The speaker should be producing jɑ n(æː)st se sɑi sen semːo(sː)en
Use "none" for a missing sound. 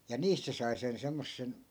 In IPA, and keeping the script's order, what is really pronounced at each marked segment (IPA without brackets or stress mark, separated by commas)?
iː, sː